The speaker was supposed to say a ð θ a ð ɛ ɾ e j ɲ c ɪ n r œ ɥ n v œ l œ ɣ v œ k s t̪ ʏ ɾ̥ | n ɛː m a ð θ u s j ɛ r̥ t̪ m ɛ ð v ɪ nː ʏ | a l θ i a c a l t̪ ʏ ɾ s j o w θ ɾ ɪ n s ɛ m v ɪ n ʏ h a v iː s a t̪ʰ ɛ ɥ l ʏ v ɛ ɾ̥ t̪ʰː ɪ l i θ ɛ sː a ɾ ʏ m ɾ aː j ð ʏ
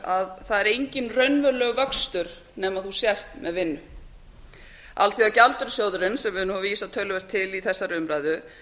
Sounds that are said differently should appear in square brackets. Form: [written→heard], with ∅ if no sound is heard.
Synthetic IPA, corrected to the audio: a ð θ a ð ɛ ɾ e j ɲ c ɪ n r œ ɥ n v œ l œ ɣ v œ k s t̪ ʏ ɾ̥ | n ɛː m a ð θ u s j ɛ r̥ t̪ m ɛ ð v ɪ nː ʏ | a l θ i a c a l t̪ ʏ ɾ s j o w [θ→ð] ɾ ɪ n s ɛ m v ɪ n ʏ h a v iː s a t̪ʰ [ɛ→œ] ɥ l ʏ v ɛ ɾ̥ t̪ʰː ɪ l i θ ɛ sː a ɾ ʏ m ɾ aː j ð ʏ

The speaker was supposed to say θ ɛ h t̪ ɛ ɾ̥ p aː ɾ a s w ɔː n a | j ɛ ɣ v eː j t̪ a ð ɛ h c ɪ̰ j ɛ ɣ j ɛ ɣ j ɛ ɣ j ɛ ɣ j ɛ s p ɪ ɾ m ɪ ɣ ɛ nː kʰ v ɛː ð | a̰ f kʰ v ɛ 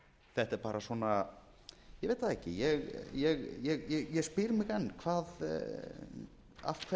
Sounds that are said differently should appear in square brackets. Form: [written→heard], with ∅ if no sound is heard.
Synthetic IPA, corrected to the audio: θ ɛ h t̪ ɛ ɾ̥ p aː ɾ a s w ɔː n a | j ɛ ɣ v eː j t̪ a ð ɛ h c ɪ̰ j ɛ ɣ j ɛ ɣ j ɛ ɣ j ɛ ɣ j ɛ s p ɪ ɾ m ɪ ɣ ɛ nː kʰ v [ɛː→aː] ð | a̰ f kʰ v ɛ

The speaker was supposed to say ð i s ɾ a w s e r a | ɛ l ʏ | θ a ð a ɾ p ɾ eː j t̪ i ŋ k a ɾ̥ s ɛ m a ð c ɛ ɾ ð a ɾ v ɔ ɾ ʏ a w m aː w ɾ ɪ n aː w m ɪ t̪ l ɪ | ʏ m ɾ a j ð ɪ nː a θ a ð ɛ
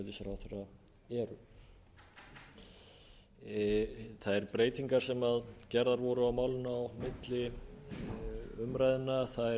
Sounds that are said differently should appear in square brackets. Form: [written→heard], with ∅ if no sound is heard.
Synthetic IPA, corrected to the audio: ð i s ɾ a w [s→θ] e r a | ɛ [l→ɾ] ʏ | θ a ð [a→ɛ] ɾ p ɾ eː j t̪ i ŋ k a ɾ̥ s ɛ m a ð c ɛ ɾ ð a ɾ v ɔ ɾ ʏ a w m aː w [ɾ→l] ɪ n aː w m ɪ t̪ l ɪ | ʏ m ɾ a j ð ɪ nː a θ a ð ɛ

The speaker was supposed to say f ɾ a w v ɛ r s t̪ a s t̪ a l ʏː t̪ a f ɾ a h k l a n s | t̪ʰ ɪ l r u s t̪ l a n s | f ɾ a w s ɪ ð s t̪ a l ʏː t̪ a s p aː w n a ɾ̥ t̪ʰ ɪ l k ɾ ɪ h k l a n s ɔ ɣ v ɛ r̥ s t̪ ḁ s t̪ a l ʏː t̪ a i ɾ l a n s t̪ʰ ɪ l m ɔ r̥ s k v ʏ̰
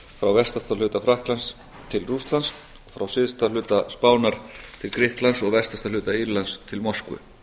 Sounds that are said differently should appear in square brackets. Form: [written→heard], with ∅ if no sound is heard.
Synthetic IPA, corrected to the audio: f ɾ a w v ɛ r s t̪ a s t̪ a l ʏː t̪ a f ɾ a h k l a n s | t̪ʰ ɪ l r u s t̪ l a n s | f ɾ a w s ɪ ð s t̪ a l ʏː t̪ a s p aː w n a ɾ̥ t̪ʰ ɪ l k ɾ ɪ h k l a n s ɔ ɣ v ɛ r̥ s t̪ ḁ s t̪ a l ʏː t̪ a i ɾ l a n s t̪ʰ ɪ l m ɔ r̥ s k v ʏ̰

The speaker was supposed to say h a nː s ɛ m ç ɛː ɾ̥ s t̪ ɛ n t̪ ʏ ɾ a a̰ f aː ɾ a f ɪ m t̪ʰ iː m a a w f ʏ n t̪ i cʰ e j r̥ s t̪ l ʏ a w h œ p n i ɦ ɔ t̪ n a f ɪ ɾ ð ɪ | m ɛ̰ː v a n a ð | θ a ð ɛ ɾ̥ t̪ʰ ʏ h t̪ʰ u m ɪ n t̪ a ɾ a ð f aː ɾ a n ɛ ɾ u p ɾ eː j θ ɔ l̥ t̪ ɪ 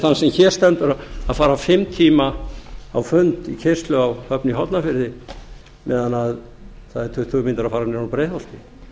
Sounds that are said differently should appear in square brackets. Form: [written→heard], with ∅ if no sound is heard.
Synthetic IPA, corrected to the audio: [h→θ] a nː s ɛ m ç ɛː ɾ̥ s t̪ ɛ n t̪ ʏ ɾ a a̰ f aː ɾ a f ɪ m t̪ʰ iː m a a w f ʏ n t̪ i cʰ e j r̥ s t̪ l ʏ a w h œ p n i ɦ ɔ t̪ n a f ɪ ɾ ð ɪ | m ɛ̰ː [v→ð] a n a ð | θ a ð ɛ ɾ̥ t̪ʰ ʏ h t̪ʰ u m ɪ n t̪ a ɾ a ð f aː ɾ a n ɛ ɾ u p ɾ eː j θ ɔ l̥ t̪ ɪ

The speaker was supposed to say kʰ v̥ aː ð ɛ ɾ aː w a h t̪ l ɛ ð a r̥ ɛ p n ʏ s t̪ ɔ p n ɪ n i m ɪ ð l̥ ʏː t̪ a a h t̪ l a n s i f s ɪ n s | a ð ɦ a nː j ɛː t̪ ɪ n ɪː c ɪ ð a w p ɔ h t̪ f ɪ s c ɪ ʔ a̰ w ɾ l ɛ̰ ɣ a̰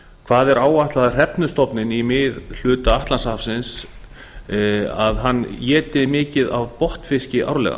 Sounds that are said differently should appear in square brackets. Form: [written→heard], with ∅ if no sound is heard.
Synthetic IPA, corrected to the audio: kʰ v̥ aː ð ɛ ɾ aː w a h t̪ l [ɛ→a] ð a r̥ ɛ p n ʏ s t̪ ɔ p n ɪ n i m ɪ ð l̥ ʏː t̪ a a h t̪ l a n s [i→a] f s ɪ n s | a ð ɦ a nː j ɛː t̪ ɪ [n→m] ɪː c ɪ ð a [w→v] p ɔ h t̪ f ɪ s c ɪ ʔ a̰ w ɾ l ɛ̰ ɣ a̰

